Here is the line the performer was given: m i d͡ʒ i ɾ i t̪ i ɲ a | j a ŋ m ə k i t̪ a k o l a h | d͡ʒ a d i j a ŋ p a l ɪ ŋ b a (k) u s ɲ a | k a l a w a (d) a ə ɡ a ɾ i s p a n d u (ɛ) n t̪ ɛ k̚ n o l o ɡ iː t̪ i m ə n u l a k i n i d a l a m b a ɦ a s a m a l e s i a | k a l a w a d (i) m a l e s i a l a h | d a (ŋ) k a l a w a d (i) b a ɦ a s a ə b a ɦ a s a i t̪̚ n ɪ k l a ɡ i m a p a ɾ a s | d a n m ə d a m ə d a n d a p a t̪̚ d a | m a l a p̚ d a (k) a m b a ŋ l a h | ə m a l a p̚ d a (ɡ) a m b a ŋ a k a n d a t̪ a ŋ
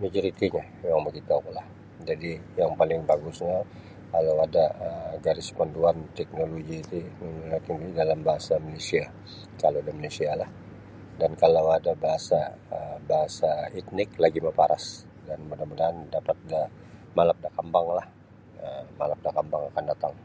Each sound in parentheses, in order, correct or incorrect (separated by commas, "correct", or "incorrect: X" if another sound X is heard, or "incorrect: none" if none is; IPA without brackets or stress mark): incorrect: ɡ, correct, incorrect: a, incorrect: a, incorrect: n, incorrect: a, correct, incorrect: k